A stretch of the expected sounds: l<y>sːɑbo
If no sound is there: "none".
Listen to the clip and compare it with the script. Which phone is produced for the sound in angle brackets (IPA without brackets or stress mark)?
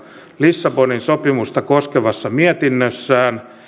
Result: i